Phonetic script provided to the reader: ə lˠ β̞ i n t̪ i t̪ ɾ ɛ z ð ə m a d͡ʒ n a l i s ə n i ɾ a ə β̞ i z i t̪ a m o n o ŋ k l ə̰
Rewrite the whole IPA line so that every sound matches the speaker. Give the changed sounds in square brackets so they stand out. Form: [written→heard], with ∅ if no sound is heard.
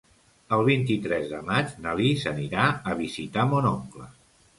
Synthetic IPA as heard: ə lˠ β̞ i n t̪ i t̪ ɾ ɛ z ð ə m a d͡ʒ n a l i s ə n i ɾ a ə β̞ i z i t̪ a m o n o ŋ k l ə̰